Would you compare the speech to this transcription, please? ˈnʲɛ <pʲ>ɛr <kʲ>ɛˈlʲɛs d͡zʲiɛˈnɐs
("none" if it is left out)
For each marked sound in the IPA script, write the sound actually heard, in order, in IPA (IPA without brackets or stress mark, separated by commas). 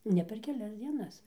pʲ, kʲ